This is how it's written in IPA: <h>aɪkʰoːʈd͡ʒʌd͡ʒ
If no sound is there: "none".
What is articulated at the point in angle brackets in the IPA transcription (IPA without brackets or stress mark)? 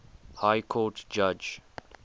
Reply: h